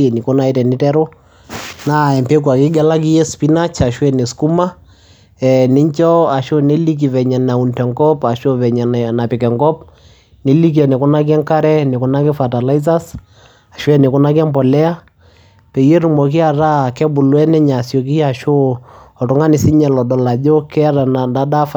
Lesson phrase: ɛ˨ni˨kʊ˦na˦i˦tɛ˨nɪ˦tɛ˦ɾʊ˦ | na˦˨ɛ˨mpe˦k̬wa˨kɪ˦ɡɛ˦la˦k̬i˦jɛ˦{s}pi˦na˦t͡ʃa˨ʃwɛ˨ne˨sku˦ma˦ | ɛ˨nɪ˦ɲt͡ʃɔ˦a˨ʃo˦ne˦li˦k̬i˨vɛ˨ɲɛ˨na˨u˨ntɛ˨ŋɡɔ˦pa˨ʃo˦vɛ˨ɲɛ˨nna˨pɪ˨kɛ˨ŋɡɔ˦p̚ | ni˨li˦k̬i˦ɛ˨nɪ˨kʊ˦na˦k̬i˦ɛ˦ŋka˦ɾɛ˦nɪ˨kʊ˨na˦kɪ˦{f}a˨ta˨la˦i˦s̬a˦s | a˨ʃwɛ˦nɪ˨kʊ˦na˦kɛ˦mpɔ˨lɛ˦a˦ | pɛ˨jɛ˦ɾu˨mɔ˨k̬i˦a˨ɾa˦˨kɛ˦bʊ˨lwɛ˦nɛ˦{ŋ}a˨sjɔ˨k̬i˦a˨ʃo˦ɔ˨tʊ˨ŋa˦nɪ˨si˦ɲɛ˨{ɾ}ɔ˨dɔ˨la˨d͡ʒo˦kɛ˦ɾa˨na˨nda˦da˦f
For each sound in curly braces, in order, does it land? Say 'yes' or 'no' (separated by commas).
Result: yes, yes, no, no